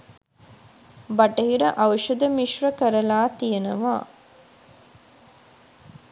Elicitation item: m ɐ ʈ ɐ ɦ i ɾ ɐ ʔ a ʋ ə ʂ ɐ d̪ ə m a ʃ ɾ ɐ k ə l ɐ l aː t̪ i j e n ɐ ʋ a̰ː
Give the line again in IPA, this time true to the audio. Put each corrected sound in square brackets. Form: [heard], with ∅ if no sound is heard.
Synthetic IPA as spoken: [b] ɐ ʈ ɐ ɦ i ɾ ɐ ʔ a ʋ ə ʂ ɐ d̪ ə m [i] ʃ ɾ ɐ k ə [ɾ] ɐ l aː t̪ i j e n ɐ ʋ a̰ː